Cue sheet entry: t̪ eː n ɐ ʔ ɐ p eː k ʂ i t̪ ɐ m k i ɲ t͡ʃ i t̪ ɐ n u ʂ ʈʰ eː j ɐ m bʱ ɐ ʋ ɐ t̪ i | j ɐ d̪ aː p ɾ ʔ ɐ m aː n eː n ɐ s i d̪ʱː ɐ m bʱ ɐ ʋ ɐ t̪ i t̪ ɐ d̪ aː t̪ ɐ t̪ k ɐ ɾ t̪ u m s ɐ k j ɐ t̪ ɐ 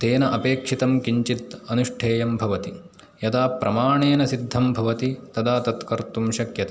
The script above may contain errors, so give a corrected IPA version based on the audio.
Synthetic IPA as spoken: t̪ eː n ɐ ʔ ɐ p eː k ʂ i t̪ ɐ m k i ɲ t͡ʃ i t̪ ɐ n u ʂ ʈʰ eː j ɐ m bʱ ɐ ʋ ɐ t̪ i | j ɐ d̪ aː p ɾ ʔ ɐ m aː ɳ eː n ɐ s i d̪ʱː ɐ m bʱ ɐ ʋ ɐ t̪ i t̪ ɐ d̪ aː t̪ ɐ t̪ k ɐ ɾ t̪ u m ʃ ɐ k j ɐ t̪ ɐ